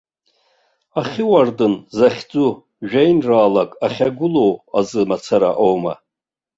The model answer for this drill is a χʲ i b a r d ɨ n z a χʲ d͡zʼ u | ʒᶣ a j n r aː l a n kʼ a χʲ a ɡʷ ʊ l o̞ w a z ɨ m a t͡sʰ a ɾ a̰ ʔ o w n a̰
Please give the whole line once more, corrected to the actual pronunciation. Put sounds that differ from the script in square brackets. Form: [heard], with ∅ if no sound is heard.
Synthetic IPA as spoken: a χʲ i [w] a r d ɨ n z a χʲ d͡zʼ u | ʒᶣ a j n r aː l a [∅] kʼ a χʲ a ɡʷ ʊ l o̞ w a z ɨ m a t͡sʰ a ɾ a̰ ʔ o w [m] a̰